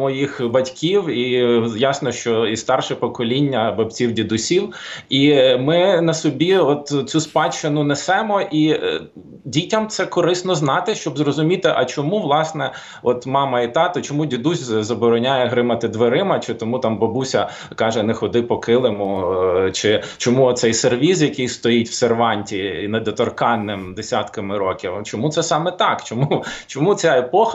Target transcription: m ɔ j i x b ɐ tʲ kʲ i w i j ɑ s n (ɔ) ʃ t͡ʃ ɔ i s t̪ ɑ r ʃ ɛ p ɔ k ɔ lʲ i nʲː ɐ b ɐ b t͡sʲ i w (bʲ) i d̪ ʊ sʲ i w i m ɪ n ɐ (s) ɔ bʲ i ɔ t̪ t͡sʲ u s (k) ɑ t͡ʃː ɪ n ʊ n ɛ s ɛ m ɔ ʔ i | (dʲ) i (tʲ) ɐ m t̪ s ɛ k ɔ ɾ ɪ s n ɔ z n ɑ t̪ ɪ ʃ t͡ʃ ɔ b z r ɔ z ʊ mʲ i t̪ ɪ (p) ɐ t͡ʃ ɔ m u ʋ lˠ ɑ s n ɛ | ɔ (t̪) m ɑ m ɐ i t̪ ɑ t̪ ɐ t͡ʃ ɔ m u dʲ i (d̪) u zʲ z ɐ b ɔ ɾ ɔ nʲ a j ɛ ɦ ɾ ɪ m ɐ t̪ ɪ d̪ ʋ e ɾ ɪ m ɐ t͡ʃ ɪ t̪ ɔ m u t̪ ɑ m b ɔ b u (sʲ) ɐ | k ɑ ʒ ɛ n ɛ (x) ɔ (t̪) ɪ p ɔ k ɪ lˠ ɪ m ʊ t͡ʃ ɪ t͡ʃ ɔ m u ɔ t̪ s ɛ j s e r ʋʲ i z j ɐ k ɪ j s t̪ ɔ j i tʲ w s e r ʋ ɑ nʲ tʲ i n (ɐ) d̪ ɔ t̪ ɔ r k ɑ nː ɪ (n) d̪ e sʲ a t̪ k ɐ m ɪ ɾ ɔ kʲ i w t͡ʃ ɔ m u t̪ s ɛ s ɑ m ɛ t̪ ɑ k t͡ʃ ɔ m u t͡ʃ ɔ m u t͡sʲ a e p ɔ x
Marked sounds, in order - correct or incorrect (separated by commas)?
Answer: correct, incorrect, correct, incorrect, correct, correct, incorrect, correct, correct, correct, correct, incorrect, correct, incorrect